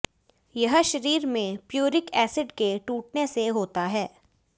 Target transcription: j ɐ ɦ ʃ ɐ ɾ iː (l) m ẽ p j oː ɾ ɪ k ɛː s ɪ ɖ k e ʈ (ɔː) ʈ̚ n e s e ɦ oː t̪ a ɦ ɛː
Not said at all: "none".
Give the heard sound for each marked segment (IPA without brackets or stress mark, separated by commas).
ɾ, uː